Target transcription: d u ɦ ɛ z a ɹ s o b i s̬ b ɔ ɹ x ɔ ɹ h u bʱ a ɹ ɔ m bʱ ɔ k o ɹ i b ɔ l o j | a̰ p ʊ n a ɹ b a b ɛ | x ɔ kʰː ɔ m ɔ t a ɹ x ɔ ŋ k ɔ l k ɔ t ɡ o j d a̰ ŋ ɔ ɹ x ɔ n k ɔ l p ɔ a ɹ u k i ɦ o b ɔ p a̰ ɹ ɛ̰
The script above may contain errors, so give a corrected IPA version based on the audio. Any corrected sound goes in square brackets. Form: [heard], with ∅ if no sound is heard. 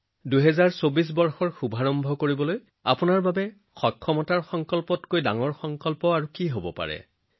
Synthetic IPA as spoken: d u ɦ ɛ z a ɹ s o b i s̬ b ɔ ɹ x ɔ ɹ [x] u bʱ a ɹ ɔ m bʱ ɔ k o ɹ i b ɔ l o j | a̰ p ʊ n a ɹ b a b ɛ | x ɔ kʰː ɔ m ɔ t a ɹ x ɔ ŋ k ɔ l [p] ɔ t [k] o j d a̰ ŋ ɔ ɹ x ɔ [ŋ] k ɔ l p ɔ a ɹ u k i ɦ o b ɔ p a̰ ɹ ɛ̰